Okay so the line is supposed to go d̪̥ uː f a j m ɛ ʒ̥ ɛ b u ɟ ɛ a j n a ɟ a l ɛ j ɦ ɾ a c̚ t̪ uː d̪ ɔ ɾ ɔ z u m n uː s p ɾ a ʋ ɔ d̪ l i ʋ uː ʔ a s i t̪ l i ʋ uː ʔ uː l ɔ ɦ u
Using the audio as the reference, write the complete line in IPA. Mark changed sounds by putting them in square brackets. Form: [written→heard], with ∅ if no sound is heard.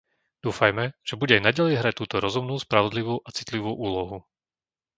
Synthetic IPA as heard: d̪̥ uː f a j m ɛ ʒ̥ ɛ b u ɟ ɛ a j n a ɟ a l ɛ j ɦ ɾ a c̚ t̪ uː [d̪→t̪] ɔ ɾ ɔ z u m n uː s p ɾ a ʋ ɔ d̪ l i ʋ uː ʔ a [s→t͡s] i t̪ l i ʋ uː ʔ uː l ɔ ɦ u